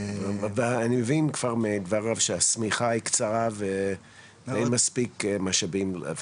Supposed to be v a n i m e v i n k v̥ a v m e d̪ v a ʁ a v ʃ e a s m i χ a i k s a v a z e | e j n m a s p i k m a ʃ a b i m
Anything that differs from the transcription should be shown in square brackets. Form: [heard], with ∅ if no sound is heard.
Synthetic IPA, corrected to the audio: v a n i m e v i n k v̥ a [ʁ] m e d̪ v a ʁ a v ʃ e a s m i χ a i k [t͡s] a [ʁ] a [v] e | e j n m a s p i k m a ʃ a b i m